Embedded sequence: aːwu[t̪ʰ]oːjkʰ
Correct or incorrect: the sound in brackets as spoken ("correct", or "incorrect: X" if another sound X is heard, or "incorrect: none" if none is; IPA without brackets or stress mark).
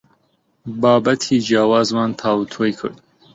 correct